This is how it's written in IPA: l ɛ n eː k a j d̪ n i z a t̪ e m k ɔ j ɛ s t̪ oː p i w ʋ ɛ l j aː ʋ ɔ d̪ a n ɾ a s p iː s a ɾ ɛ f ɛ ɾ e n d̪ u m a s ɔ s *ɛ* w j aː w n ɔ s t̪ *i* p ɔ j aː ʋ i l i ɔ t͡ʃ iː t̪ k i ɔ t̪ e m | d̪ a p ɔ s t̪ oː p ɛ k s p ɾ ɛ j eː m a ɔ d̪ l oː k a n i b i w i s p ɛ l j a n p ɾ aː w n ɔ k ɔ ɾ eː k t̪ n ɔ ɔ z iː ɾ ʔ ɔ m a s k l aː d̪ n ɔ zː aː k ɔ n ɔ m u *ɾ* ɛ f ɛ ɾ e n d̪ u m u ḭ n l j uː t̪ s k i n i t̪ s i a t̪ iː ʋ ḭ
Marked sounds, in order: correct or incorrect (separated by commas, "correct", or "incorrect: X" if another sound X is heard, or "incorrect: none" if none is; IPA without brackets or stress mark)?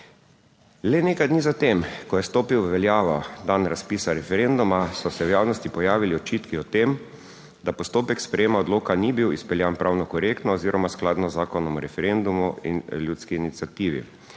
correct, correct, correct